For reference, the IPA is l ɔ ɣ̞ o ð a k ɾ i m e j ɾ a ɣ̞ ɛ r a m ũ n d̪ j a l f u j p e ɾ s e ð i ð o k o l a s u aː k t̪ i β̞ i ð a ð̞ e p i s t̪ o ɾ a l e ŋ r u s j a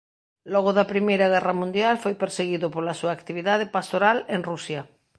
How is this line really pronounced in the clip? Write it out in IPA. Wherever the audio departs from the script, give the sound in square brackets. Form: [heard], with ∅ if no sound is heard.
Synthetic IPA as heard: l ɔ ɣ̞ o ð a [p] ɾ i m e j ɾ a ɣ̞ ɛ r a m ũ n d̪ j a l f [o] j p e ɾ s e [ɣ] i ð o [p] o l a s u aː k t̪ i β̞ i ð a ð̞ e p [a] s t̪ o ɾ a l e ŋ r u s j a